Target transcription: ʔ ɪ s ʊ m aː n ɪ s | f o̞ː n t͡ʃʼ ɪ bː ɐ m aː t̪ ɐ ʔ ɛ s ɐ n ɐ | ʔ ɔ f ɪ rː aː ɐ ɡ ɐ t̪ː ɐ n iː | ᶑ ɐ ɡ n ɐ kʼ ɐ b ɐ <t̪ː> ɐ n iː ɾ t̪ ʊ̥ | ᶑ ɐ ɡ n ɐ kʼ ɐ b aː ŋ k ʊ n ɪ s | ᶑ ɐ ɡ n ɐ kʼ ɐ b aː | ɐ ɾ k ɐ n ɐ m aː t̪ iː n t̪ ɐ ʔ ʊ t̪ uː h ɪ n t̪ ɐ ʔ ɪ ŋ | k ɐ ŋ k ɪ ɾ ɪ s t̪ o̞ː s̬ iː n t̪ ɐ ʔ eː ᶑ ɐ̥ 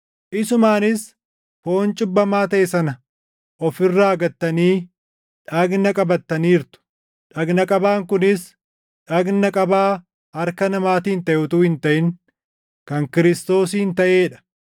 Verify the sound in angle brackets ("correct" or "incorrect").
correct